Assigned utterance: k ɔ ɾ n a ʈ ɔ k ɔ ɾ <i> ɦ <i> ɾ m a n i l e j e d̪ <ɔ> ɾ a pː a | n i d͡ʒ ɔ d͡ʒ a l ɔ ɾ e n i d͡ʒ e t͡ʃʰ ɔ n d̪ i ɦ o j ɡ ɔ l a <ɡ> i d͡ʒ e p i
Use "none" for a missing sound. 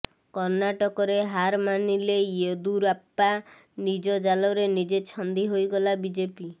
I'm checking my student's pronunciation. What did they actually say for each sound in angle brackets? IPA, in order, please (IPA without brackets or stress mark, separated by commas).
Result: e, a, u, b